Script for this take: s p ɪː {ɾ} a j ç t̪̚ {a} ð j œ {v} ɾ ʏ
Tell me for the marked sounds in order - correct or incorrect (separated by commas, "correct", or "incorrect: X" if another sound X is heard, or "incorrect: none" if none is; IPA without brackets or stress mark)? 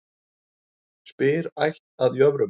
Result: correct, correct, correct